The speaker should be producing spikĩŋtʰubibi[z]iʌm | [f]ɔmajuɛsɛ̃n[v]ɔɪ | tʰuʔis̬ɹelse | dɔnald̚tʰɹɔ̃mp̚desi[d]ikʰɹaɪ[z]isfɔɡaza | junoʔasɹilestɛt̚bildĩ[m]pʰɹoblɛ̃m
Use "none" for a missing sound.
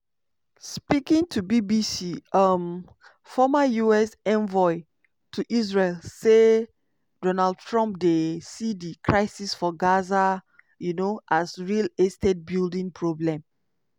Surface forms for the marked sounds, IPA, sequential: s, f, v, d, s, ŋ

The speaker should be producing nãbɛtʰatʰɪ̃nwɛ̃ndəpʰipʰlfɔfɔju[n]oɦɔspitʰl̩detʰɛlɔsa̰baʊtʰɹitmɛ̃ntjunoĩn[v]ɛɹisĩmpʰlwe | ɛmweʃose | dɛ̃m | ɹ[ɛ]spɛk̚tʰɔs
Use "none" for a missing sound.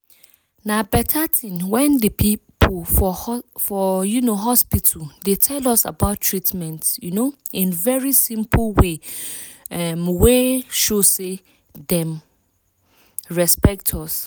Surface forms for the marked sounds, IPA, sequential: n, v, ɛ

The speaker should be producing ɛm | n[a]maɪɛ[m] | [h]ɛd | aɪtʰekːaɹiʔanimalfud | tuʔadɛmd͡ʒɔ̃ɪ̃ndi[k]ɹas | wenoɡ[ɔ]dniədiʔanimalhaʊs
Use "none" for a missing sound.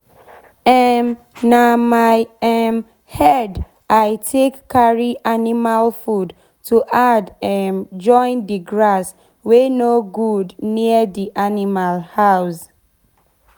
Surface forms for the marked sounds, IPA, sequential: a, m, h, ɡ, u

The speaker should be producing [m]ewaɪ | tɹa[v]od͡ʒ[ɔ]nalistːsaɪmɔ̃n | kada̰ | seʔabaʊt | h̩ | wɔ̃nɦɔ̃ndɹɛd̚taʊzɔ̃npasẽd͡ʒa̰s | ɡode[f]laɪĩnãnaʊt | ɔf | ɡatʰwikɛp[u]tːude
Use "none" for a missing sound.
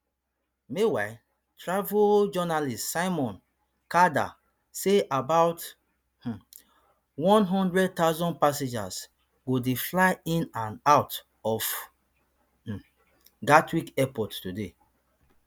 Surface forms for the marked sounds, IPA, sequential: m, v, ɔ, f, ɔ

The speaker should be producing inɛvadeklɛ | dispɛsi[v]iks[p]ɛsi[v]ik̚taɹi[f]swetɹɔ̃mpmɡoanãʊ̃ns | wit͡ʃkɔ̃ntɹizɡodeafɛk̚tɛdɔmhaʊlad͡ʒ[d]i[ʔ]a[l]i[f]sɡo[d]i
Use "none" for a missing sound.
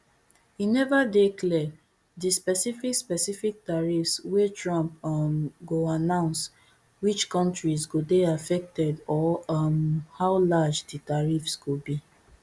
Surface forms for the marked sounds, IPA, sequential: f, p, f, f, d, t, ɹ, f, b

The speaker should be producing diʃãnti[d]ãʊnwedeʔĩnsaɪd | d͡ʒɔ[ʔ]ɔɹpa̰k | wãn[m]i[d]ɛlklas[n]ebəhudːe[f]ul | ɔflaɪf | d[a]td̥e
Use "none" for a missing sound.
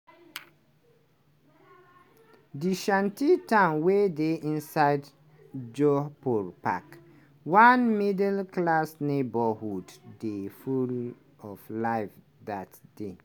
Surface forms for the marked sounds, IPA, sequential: t, p, m, d, n, f, a

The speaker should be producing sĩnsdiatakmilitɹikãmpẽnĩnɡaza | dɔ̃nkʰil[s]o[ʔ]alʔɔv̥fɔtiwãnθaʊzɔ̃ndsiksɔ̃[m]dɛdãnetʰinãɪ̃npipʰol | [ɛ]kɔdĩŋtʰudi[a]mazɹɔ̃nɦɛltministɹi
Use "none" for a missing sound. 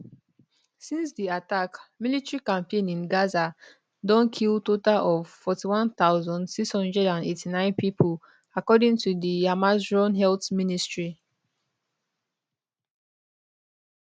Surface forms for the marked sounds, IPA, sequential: t, t, n, a, a

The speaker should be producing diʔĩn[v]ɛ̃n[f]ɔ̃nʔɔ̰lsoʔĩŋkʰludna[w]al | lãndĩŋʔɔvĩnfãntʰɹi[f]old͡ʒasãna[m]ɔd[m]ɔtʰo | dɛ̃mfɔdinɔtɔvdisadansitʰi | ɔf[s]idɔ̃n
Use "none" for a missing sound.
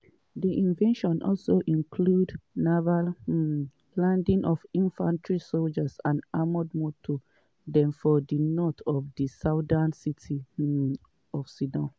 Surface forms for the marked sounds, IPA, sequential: v, ʃ, v, s, m, m, s

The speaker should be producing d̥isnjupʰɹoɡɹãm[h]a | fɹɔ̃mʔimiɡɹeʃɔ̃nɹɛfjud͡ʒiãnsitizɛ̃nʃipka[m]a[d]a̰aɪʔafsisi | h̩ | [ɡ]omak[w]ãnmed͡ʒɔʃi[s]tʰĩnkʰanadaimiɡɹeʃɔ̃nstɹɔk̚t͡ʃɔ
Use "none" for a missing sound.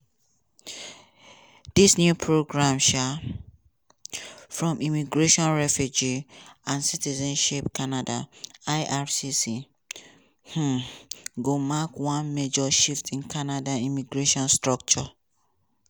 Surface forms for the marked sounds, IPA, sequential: ʃ, n, d, ɡ, w, f

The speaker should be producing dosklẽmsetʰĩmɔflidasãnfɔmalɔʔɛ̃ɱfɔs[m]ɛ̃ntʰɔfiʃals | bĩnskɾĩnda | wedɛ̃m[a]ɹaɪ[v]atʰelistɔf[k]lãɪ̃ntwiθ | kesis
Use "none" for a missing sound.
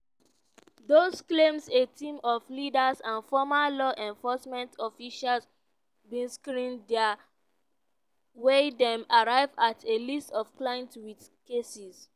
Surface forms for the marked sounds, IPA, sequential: m, a, v, k

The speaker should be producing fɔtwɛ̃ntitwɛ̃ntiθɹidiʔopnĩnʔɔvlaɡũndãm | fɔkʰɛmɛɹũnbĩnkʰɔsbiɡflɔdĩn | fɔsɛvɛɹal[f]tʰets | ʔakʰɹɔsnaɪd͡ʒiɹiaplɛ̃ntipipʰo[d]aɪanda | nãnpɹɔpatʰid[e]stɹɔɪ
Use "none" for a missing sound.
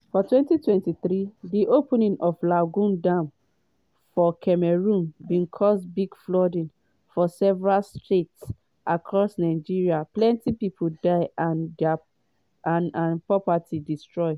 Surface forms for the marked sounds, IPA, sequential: s, d, i

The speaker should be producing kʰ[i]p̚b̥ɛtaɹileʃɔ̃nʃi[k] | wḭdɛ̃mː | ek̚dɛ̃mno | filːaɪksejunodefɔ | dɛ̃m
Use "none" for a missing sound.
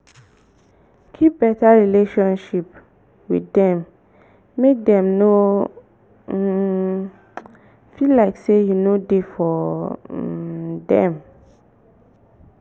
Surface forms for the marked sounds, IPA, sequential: i, p

